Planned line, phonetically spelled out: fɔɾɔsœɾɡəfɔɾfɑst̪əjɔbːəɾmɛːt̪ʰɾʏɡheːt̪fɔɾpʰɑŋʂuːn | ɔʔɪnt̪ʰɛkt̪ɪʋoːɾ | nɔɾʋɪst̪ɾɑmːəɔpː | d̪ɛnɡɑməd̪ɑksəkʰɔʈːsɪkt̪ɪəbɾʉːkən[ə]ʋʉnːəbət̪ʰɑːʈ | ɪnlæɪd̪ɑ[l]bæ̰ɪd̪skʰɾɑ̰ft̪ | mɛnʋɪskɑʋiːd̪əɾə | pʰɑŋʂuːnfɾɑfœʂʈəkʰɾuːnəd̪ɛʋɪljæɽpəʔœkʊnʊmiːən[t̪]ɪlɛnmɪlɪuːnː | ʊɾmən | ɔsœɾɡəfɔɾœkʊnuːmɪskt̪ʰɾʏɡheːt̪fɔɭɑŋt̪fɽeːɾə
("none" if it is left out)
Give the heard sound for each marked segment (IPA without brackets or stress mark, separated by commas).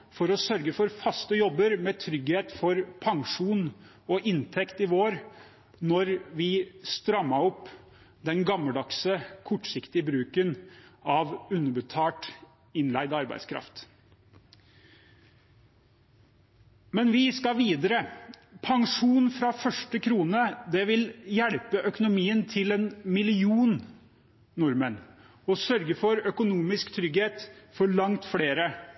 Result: ɑ, ɾ, t̪ʰ